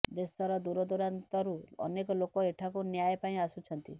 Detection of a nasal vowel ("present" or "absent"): present